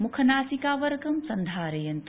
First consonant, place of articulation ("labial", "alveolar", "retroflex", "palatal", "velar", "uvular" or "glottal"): labial